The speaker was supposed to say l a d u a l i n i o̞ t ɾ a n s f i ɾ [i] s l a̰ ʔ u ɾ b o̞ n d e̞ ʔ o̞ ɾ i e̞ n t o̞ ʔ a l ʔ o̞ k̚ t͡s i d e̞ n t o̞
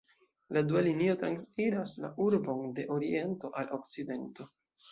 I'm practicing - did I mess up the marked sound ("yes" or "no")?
yes